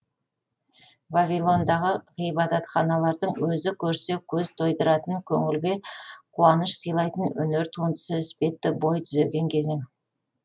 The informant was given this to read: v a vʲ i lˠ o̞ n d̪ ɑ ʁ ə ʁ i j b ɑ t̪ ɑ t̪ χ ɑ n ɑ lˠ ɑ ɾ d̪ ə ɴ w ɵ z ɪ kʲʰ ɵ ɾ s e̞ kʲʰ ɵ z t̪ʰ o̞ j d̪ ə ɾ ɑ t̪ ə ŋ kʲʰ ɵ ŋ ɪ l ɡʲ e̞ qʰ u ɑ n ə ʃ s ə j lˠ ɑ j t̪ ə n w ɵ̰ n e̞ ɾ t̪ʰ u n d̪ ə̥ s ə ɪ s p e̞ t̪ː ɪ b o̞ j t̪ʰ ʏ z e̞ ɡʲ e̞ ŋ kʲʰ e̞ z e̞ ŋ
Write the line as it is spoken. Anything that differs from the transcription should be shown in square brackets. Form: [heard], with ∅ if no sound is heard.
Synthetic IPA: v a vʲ i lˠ o̞ n d̪ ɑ ʁ ə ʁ i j b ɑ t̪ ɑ t̪ χ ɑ n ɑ lˠ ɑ ɾ d̪ ə ɴ w ɵ z ɪ kʲʰ ɵ ɾ s e̞ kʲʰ ɵ z t̪ʰ o̞ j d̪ ə ɾ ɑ t̪ ə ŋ kʲʰ ɵ ŋ ɪ l ɡʲ e̞ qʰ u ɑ n ə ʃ s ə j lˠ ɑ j t̪ ə n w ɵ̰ n e̞ ɾ t̪ʰ u n d̪ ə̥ s ə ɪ s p e̞ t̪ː ɪ b o̞ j t̪ʰ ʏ z e̞ ɡʲ e̞ ŋ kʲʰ e̞ z e̞ ŋ